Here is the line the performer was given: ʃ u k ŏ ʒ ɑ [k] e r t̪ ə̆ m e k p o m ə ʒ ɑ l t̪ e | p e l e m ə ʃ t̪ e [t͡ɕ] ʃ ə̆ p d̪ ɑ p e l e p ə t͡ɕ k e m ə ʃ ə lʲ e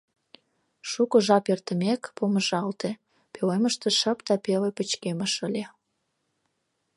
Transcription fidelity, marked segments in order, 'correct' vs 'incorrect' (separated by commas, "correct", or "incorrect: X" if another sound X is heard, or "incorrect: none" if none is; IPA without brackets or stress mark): incorrect: p, incorrect: none